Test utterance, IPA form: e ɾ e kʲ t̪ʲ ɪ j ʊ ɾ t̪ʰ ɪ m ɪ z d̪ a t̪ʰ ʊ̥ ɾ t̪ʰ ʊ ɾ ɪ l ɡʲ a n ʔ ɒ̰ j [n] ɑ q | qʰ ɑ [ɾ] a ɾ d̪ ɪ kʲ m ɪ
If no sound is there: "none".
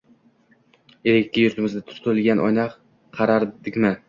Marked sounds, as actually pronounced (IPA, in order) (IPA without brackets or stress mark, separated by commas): n, ɾ